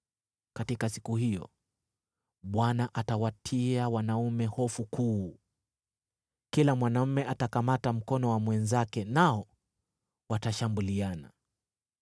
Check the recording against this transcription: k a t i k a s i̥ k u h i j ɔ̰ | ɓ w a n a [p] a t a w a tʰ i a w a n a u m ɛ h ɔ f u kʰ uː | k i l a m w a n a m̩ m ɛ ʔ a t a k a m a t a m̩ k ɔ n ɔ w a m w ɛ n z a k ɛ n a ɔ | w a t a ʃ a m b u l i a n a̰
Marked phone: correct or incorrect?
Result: incorrect